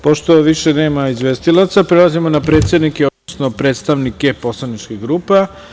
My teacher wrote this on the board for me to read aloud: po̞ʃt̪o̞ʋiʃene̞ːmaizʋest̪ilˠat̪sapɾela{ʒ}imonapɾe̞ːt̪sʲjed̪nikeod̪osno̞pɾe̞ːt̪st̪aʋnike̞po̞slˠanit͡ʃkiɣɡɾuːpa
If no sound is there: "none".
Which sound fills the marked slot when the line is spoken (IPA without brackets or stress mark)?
z